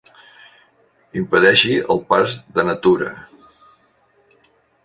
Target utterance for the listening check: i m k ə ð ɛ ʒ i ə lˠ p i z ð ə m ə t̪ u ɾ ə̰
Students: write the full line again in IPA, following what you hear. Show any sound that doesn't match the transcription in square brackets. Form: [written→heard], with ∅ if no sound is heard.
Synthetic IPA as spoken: i m [k→p] ə ð ɛ [ʒ→ʃ] i ə lˠ p [i→a] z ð ə [m→n] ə t̪ u ɾ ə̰